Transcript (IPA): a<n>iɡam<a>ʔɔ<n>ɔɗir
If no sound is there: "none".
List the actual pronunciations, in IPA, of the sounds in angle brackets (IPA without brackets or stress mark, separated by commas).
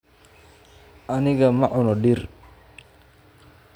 n, a, n